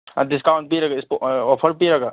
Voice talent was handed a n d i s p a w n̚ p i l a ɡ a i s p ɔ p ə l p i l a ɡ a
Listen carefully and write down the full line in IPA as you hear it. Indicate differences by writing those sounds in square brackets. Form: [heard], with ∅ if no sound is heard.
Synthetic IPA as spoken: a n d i s [k] a w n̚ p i [ɾ] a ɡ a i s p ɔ [pʰ] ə [ɾ] p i [ɾ] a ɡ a